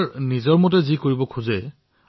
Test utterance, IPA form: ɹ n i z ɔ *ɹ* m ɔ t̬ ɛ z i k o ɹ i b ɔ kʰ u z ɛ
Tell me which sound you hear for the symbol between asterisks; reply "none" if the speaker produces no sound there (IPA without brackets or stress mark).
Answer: ɹ